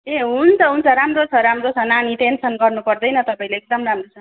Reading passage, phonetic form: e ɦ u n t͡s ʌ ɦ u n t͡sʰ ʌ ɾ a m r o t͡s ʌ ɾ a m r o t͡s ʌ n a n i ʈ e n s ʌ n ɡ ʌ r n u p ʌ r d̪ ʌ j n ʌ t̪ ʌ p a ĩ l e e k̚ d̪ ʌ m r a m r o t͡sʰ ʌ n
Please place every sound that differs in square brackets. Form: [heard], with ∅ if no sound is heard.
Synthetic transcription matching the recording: e ɦ u n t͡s ʌ ɦ u n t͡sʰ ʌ ɾ a m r o [t͡sʰ] ʌ ɾ a m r o [t͡sʰ] ʌ n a n i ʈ e n s ʌ n ɡ ʌ r n u p ʌ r d̪ ʌ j n ʌ t̪ ʌ p a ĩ l e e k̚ d̪ ʌ m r a m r o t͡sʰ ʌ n